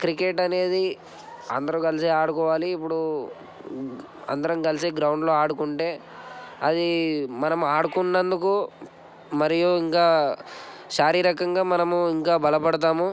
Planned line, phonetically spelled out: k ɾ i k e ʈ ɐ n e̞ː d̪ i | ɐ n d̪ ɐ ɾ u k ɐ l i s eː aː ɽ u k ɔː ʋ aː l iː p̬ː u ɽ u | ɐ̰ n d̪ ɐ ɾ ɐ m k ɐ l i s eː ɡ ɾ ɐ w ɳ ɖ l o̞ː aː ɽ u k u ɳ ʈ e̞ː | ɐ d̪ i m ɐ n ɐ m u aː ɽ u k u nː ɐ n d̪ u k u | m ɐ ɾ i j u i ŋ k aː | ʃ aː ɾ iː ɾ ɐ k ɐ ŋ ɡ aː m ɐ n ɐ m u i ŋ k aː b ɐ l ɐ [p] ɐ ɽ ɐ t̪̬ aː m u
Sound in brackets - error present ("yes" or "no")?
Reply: no